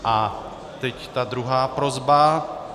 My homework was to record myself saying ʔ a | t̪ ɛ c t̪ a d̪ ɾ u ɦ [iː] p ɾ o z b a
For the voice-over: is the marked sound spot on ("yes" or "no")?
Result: no